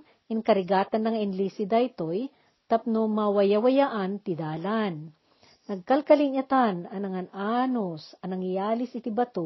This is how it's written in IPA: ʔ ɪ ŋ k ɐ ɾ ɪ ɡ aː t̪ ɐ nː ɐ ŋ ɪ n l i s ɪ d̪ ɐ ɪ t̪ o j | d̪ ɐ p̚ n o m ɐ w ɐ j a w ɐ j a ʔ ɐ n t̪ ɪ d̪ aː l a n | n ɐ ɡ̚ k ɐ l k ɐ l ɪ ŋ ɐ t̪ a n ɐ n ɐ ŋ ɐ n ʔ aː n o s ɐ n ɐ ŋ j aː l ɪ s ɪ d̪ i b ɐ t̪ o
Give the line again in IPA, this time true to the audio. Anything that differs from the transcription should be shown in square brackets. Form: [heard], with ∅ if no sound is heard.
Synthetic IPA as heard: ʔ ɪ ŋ k ɐ ɾ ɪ ɡ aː t̪ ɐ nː ɐ ŋ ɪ n l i s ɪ d̪ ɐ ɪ t̪ o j | [t̪] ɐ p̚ n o m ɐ w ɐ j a w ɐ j a ʔ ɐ n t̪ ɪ d̪ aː l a n | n ɐ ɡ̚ k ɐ l k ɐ l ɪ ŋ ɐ t̪ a n ɐ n ɐ ŋ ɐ n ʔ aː n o s ɐ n ɐ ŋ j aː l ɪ s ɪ [t̪] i b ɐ t̪ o